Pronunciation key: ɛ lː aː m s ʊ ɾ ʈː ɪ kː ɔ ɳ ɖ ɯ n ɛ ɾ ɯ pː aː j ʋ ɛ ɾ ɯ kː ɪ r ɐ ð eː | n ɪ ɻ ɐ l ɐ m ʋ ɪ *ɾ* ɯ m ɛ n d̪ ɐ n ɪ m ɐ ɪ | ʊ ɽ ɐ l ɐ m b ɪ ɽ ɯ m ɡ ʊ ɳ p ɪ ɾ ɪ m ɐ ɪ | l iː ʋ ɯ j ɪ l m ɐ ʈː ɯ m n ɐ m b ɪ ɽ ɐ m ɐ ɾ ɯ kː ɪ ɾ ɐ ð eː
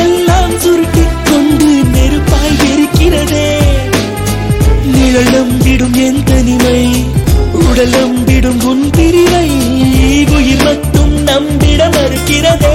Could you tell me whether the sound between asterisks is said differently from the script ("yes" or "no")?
yes